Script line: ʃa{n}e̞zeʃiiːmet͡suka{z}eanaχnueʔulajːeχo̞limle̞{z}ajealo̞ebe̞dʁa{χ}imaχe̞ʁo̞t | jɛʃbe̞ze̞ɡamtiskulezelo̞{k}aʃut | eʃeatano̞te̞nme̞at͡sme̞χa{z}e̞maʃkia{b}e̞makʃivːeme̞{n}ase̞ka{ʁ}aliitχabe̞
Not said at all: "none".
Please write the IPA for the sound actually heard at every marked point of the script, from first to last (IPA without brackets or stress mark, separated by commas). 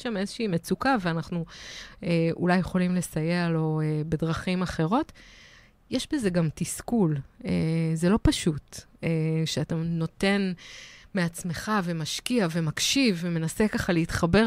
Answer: m, v, s, χ, p, v, v, n, χ